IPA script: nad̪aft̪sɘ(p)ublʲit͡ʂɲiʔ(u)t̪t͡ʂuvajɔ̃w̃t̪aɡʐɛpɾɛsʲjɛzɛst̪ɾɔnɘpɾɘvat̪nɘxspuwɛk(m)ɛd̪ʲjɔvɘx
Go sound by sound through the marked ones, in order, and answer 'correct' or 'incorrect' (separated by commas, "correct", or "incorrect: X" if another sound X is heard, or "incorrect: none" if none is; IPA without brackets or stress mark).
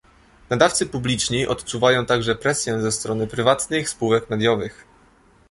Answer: correct, incorrect: ɔ, correct